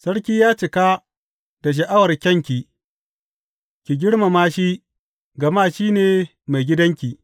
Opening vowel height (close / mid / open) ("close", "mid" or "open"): open